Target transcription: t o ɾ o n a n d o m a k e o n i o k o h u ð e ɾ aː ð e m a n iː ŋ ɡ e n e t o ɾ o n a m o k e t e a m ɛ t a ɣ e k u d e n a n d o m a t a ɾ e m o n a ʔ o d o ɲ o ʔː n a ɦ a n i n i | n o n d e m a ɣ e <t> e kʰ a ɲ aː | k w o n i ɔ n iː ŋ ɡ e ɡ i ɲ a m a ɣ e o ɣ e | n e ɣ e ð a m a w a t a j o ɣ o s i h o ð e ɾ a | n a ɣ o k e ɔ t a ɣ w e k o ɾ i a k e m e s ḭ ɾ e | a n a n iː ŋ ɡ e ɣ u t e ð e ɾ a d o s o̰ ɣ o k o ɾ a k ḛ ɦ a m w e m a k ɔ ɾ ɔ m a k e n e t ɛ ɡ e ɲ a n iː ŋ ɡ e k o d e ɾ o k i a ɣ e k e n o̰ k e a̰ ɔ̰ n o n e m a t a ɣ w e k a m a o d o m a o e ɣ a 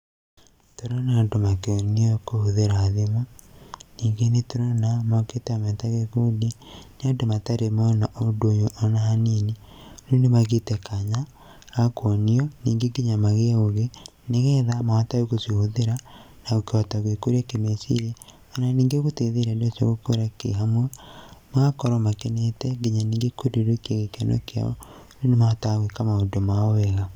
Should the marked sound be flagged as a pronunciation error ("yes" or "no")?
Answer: no